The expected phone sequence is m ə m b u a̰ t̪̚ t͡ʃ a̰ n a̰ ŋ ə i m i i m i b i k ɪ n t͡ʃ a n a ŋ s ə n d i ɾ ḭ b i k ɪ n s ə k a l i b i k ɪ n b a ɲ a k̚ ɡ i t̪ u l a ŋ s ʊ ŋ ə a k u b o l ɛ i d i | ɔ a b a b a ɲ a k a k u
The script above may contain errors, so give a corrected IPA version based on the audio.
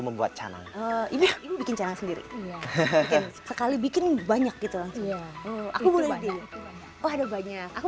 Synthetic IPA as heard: m ə m b u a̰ t̪̚ t͡ʃ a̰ n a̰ ŋ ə i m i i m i b i k ɪ n t͡ʃ a n a ŋ s ə n d i ɾ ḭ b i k ɪ n s ə k a l i b i k ɪ n b a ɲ a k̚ ɡ i t̪ u l a ŋ s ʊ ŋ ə a k u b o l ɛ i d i | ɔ a d a b a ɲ a k a k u